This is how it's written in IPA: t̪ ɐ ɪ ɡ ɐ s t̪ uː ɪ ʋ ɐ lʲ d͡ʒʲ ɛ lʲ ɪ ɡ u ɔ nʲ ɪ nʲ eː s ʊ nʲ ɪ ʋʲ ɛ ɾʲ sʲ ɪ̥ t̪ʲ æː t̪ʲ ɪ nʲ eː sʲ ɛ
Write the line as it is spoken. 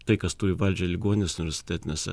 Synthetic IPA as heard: t̪ ɐ ɪ k ɐ s t̪ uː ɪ ʋ ɐ lʲ d͡ʒʲ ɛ lʲ ɪ ɡ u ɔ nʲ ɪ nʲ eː s ʊ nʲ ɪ ʋʲ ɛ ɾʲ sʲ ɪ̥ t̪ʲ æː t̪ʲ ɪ nʲ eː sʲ ɛ